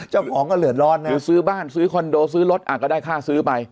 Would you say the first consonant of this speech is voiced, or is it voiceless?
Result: voiceless